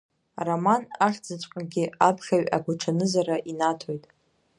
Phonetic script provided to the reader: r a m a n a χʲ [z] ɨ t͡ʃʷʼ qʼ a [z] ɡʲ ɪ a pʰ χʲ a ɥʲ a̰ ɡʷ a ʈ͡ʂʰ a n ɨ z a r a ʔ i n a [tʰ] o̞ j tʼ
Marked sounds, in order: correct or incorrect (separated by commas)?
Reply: incorrect, incorrect, correct